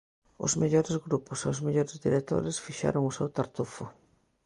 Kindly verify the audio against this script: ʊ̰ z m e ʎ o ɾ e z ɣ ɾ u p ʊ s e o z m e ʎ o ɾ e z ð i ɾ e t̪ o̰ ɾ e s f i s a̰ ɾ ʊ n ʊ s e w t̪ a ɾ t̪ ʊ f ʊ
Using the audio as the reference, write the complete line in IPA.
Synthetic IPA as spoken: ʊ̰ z m e ʎ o ɾ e z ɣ ɾ u p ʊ s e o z m e ʎ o ɾ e z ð i ɾ e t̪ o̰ ɾ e s f i ʃ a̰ ɾ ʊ ŋ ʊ s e w t̪ a ɾ t̪ u f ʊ